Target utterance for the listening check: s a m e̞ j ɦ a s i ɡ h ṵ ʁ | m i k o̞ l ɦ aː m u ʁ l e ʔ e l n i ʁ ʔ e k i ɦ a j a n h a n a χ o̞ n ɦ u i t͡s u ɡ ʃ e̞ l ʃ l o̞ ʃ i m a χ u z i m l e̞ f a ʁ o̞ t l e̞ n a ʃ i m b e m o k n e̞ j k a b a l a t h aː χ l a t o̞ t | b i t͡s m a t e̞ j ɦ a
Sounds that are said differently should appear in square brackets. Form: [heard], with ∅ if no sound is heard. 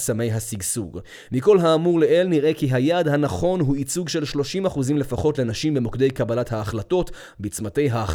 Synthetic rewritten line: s a m e̞ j ɦ a s i ɡ [s] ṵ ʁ | m i k o̞ l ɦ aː m u ʁ l e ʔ e l n i ʁ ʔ e k i ɦ a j a [d] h a n a χ o̞ n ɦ u i t͡s u ɡ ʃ e̞ l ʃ l o̞ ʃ i m a χ u z i m l e̞ f a [χ] o̞ t l e̞ n a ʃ i m b e m o k [d] e̞ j k a b a l a t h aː χ l a t o̞ t | b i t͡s m a t e̞ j ɦ a